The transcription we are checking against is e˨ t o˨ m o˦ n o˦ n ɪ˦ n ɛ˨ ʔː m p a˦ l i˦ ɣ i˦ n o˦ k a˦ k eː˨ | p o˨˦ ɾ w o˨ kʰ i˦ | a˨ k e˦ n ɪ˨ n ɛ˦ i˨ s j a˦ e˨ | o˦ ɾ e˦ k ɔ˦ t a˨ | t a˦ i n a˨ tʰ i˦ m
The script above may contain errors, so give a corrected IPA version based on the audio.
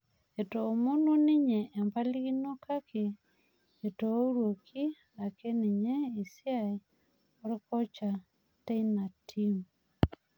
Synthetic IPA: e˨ t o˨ m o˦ n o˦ n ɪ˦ ɲ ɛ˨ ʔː m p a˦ l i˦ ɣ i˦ n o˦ k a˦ k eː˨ | t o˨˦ ɾ w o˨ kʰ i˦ | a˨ k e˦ n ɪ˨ ɲ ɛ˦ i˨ s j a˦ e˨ | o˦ ɾ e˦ k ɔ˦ t͡ʃ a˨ | t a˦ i n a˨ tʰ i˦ m